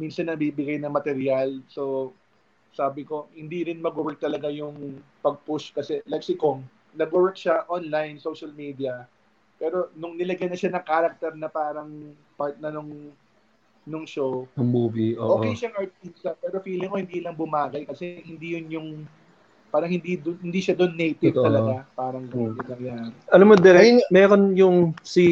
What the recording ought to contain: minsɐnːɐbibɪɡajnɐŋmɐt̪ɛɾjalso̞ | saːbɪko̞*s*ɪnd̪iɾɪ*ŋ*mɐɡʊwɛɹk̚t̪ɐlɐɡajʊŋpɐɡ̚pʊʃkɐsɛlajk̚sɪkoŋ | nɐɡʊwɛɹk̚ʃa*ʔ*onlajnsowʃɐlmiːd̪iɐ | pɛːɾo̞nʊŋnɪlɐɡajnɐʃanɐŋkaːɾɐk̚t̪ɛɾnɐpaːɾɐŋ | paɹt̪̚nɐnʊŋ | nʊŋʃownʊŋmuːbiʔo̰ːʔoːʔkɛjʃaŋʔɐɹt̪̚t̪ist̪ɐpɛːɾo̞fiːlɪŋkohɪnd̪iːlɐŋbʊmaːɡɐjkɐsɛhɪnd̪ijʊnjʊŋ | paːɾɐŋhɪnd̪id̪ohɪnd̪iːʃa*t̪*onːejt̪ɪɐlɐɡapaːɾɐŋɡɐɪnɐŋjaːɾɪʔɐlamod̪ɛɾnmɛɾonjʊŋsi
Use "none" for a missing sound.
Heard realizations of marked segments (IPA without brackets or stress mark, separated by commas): h, n, ʔ, d̪